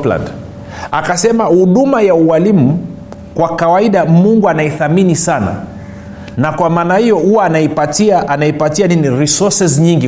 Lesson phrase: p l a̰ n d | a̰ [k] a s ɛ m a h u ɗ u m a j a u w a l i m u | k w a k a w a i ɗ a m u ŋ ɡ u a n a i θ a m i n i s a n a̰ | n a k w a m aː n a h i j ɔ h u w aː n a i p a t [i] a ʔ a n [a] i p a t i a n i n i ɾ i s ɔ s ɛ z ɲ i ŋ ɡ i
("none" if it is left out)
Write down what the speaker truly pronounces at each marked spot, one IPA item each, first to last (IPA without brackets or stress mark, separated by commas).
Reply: k, i, a